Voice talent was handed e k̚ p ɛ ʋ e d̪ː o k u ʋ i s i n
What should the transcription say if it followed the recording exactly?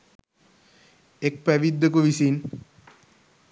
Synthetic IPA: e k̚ p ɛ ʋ i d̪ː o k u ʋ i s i n